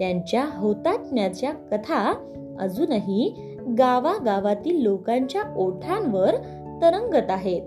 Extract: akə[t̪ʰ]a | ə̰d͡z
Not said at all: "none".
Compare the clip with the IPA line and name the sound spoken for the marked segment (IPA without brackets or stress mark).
t̪ʰ